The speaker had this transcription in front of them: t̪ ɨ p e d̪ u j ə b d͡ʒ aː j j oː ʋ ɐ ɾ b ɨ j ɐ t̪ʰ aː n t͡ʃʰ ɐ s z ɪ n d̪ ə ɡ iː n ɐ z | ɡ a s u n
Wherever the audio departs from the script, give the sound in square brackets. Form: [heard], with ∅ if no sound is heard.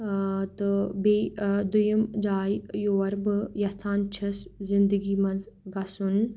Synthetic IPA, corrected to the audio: t̪ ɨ [b] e d̪ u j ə [m] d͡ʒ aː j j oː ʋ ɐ ɾ b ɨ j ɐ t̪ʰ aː n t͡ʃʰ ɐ s z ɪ n d̪ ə ɡ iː [m] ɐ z | ɡ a s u n